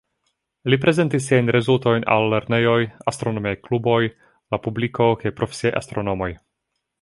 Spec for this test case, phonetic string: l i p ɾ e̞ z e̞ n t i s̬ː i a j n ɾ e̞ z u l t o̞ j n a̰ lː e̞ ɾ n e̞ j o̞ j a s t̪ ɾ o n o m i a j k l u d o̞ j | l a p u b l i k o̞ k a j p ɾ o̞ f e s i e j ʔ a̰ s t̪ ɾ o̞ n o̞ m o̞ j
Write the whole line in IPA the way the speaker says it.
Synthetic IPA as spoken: l i p ɾ e̞ z e̞ n t i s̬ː i a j n ɾ e̞ z u l t o̞ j n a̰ lː e̞ ɾ n e̞ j o̞ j a s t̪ ɾ o n o m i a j k l u b o̞ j | l a p u b l i k o̞ k a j p ɾ o̞ f e s i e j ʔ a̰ s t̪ ɾ o̞ n o̞ m o̞ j